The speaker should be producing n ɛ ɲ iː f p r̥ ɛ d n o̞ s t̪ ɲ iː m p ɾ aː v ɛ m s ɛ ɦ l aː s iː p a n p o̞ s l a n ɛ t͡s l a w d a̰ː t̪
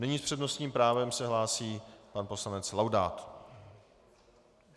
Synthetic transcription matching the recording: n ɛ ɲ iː s p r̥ ɛ d n o̞ s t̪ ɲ iː m p ɾ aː v ɛ m s ɛ ɦ l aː s iː p a n p o̞ s l a n ɛ t͡s l a w d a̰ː t̪